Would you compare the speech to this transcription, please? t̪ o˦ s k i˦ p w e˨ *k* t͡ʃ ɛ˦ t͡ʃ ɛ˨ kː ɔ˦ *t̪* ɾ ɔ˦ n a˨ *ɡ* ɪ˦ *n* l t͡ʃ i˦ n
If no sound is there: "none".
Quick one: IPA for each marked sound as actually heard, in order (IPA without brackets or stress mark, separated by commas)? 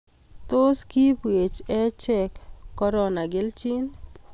none, none, ɡ, none